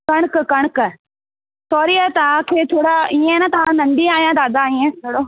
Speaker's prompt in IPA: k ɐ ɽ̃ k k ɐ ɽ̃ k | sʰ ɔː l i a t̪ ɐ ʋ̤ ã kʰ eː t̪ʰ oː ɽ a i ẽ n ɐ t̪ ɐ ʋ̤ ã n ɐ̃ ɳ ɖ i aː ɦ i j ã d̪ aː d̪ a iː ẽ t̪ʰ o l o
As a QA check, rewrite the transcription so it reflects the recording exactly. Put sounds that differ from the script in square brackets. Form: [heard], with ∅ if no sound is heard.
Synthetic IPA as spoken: k ɐ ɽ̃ k k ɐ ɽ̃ k | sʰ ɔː [ɾ] i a t̪ ɐ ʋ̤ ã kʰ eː t̪ʰ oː ɽ a i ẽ n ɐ t̪ ɐ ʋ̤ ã n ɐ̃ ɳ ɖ i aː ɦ i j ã d̪ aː d̪ a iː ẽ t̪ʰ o [ɽ] o